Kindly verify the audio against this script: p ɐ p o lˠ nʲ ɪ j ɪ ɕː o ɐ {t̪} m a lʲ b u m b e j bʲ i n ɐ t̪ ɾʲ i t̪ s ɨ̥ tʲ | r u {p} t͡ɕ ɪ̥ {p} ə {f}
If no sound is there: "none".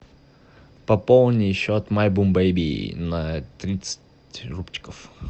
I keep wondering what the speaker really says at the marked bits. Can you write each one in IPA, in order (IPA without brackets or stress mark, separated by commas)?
t̪, p, k, f